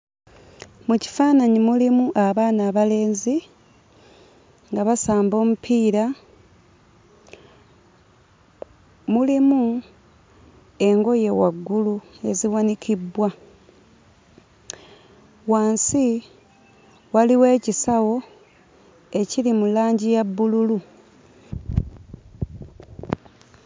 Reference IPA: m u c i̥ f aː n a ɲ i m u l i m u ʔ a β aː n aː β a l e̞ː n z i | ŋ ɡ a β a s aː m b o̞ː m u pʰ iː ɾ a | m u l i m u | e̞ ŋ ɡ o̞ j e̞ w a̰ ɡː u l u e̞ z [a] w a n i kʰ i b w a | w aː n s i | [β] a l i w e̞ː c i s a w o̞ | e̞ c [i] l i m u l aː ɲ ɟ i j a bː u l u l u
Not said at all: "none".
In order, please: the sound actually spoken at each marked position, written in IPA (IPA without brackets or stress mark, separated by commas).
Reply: i, w, i